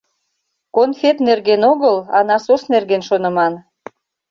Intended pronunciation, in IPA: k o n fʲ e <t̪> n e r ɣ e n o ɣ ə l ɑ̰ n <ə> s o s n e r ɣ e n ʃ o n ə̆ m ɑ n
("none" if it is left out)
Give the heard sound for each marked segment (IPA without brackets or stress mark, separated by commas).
t̪, ɑ